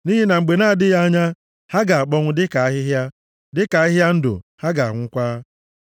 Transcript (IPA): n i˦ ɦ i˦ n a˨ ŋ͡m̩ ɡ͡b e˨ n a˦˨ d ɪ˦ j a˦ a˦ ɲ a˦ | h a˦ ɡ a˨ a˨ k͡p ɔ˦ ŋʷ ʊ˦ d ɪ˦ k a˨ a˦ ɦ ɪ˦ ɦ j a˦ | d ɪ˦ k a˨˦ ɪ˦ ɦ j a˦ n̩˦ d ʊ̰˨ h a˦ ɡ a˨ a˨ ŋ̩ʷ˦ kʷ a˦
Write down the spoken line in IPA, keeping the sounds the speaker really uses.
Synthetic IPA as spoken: n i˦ ɦ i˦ n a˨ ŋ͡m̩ ɡ͡b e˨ n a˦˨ d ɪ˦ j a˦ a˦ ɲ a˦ | h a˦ ɡ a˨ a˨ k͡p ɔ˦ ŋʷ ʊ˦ d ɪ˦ k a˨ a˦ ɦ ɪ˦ ɦ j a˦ | d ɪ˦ k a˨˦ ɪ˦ ɦ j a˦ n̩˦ d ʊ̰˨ h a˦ ɡ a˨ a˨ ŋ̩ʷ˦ kʷ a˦